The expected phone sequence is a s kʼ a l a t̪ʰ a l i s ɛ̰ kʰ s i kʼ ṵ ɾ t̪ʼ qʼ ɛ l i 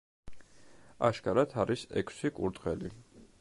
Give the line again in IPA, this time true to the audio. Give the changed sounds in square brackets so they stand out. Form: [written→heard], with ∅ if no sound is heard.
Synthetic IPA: a [s→ʃ] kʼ a [l→ɾ] a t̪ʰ a [l→ɾ] i s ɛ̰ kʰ s i kʼ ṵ ɾ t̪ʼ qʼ ɛ l i